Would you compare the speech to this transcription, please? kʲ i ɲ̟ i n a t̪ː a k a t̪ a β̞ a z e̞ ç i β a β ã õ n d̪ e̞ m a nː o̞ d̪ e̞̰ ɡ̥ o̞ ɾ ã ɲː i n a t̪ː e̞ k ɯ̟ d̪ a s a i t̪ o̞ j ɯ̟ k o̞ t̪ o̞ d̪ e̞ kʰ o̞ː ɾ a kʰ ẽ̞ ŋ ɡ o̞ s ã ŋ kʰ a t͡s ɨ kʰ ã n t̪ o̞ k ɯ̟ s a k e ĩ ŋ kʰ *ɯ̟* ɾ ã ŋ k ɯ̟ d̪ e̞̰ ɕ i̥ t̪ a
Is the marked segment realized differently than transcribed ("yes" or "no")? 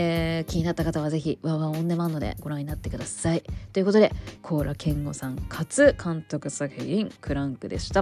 no